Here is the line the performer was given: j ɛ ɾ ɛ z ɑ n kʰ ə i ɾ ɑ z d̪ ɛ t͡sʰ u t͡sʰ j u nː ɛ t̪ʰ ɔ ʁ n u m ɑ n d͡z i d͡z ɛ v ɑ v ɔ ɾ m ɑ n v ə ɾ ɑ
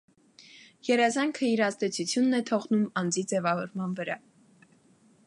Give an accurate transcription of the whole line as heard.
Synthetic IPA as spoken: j ɛ ɾ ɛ z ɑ ŋ kʰ ə i ɾ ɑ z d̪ ɛ t͡sʰ u t͡sʰ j u nː ɛ t̪ʰ ɔ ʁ n u m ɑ n d͡z i d͡z ɛ v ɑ v ɔ ɾ m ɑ n v ə ɾ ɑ